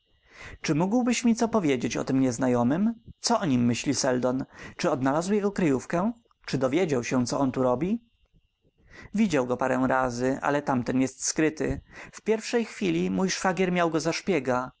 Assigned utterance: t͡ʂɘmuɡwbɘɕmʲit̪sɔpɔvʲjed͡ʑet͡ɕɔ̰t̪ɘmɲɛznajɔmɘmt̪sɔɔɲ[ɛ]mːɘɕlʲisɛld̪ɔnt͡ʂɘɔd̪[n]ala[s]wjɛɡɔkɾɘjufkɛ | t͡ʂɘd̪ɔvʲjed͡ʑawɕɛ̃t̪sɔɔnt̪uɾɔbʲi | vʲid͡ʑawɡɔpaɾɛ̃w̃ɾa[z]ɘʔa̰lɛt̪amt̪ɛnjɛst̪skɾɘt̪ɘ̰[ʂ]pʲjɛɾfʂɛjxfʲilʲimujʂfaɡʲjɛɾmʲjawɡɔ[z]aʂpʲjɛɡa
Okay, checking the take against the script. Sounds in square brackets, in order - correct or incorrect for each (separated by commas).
incorrect, correct, incorrect, correct, incorrect, correct